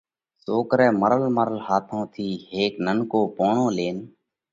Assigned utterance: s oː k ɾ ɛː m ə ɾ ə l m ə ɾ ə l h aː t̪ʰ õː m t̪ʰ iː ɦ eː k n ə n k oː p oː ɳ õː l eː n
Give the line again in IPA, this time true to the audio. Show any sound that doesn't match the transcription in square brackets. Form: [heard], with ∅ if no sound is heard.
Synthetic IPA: s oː k ɾ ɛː m ə ɾ ə l m ə ɾ ə l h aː t̪ʰ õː [∅] t̪ʰ iː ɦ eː k n ə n k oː p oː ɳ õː l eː n

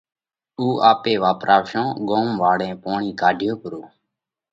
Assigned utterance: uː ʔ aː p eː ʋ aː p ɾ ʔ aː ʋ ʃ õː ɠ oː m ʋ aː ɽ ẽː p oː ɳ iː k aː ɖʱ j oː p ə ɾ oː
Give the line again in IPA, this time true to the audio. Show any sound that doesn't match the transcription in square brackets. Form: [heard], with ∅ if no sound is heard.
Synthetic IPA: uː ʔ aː p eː ʋ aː p ɾ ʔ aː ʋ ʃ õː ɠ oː m ʋ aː ɽ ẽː p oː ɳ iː k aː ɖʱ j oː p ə ɾ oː

